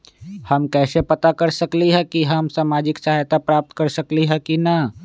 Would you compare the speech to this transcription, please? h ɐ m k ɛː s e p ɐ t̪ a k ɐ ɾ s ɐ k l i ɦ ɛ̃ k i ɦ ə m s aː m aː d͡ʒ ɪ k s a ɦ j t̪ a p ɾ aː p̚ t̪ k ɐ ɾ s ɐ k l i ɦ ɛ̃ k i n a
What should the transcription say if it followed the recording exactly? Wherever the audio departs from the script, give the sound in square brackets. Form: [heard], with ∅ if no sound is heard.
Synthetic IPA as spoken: h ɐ m k ɛː s e p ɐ t̪ a k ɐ ɾ s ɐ k l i ɦ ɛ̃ k i ɦ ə m s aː m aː d͡ʒ ɪ k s a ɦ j t̪ a p ɾ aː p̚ t̪ k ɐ ɾ s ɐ k l i ɦ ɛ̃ k i n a